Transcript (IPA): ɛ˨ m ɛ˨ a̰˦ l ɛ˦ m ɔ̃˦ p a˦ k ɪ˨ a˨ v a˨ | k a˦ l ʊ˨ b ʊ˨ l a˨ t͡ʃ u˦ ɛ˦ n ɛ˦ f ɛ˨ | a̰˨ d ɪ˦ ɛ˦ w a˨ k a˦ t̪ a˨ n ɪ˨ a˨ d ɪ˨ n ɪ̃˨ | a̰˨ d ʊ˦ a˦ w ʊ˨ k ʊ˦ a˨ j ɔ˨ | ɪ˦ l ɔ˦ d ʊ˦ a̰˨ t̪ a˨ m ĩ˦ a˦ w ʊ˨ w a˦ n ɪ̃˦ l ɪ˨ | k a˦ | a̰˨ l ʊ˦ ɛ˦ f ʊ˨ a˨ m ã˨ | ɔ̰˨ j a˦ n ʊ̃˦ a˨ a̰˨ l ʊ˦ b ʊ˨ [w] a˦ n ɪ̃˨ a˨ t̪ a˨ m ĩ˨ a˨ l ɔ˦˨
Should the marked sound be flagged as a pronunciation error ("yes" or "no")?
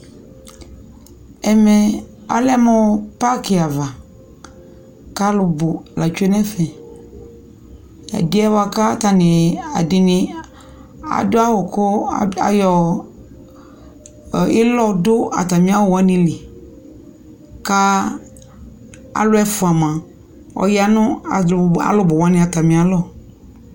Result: no